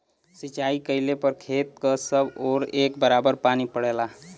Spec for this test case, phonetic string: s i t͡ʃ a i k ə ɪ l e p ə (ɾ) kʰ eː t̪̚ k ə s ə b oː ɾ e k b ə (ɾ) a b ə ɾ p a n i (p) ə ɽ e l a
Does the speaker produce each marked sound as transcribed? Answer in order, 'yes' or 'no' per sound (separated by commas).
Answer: yes, yes, yes